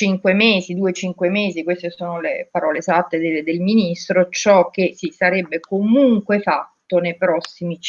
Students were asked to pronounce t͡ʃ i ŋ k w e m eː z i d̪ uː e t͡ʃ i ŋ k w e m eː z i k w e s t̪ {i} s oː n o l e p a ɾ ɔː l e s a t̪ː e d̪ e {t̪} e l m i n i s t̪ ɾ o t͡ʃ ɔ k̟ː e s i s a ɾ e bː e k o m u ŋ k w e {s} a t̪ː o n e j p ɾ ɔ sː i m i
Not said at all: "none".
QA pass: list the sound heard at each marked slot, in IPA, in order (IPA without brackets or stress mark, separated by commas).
e, d̪, f